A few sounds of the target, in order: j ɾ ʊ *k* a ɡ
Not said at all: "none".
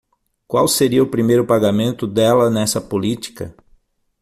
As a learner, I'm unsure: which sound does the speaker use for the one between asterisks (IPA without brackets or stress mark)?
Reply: p